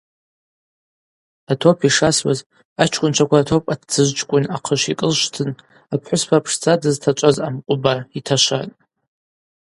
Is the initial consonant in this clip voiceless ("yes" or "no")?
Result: yes